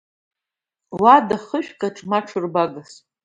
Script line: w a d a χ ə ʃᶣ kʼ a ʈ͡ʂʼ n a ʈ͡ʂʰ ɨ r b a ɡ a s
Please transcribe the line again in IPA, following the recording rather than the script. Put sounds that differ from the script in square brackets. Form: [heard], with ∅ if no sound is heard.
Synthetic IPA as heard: w a d a χ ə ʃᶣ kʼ a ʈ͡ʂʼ [m] a ʈ͡ʂʰ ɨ r b a ɡ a s